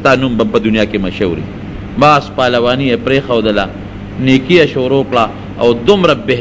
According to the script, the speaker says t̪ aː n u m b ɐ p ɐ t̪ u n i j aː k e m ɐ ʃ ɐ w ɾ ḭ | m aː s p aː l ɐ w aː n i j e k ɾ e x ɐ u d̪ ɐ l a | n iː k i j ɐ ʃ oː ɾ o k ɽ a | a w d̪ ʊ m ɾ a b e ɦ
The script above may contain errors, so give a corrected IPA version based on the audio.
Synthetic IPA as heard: t̪ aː n u m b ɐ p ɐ d̪ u n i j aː k e m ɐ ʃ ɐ w ɾ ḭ | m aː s p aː l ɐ w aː n i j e p ɾ e x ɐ w d̪ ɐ l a | n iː k i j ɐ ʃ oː ɾ o k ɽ a | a w d̪ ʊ m ɾ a b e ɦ